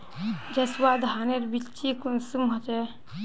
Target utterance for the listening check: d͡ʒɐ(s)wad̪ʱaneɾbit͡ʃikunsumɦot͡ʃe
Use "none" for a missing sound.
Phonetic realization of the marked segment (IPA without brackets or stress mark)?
s